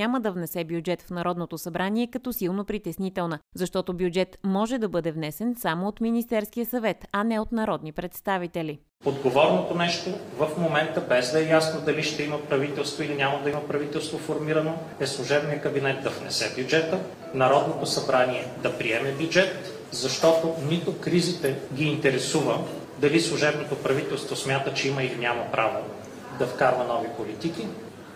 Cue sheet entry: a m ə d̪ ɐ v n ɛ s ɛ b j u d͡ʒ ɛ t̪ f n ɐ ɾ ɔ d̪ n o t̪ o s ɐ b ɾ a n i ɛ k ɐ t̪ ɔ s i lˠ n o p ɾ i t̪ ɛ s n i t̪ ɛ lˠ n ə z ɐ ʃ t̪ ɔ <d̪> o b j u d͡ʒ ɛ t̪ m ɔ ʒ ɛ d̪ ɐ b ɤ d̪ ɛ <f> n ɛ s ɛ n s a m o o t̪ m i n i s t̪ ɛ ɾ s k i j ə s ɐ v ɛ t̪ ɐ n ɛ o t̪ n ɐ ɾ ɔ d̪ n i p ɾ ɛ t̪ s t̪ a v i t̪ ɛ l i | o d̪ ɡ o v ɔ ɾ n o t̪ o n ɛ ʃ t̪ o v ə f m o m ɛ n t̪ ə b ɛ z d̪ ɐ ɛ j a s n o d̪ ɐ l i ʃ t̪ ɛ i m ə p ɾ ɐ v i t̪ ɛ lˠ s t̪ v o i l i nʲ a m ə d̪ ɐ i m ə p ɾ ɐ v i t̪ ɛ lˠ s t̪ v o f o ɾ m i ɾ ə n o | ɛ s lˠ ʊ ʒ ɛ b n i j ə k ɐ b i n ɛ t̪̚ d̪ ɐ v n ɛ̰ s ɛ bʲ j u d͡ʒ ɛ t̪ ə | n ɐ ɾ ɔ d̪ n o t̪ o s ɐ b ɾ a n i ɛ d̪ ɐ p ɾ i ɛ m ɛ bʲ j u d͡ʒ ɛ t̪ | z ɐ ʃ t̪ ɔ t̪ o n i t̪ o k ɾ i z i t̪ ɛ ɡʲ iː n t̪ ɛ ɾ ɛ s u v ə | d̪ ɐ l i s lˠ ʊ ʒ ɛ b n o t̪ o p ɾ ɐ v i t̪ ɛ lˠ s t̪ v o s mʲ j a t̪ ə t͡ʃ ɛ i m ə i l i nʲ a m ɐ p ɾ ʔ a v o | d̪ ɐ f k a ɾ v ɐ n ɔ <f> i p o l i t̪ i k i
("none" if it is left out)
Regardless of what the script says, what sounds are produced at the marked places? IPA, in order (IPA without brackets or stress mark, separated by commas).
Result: t̪, v, v